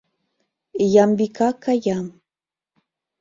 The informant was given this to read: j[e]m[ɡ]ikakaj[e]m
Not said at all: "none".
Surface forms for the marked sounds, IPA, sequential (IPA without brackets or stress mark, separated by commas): a, b, a